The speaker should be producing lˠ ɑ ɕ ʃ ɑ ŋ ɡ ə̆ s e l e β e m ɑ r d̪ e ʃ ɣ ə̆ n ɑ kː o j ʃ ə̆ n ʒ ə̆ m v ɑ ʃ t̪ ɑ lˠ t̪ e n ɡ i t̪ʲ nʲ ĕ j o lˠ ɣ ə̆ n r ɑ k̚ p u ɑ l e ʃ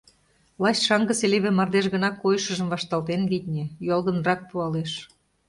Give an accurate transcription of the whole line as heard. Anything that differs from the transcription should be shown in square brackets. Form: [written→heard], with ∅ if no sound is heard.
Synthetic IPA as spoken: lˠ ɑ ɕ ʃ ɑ ŋ ɡ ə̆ s e l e β e m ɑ r d̪ e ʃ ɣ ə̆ n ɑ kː o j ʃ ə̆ [n→∅] ʒ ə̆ m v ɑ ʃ t̪ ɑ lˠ t̪ e n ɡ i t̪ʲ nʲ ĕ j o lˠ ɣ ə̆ n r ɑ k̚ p u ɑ l e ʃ